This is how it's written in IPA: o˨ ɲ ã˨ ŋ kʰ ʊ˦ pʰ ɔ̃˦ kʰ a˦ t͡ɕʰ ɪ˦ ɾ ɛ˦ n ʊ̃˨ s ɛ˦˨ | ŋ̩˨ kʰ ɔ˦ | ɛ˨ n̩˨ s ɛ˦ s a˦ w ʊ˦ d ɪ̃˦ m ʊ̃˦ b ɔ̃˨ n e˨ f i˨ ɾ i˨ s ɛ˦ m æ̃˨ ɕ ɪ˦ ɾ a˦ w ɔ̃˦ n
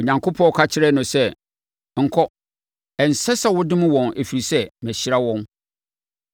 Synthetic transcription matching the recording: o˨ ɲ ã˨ ŋ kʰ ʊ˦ pʰ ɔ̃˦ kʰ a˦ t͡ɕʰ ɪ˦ ɾ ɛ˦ n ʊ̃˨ s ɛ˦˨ | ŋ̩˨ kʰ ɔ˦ | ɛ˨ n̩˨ s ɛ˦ s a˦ w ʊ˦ d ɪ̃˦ m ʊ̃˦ w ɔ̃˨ n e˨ f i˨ ɾ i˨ s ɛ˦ m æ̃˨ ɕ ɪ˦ ɾ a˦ w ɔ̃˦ n